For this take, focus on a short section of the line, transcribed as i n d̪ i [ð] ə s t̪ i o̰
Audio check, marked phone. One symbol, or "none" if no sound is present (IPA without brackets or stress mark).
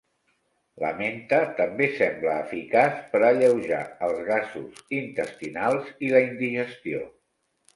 ʒ